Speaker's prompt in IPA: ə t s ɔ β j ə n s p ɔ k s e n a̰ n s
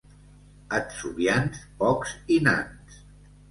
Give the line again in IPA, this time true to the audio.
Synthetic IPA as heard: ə t s u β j a n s p ɔ k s i n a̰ n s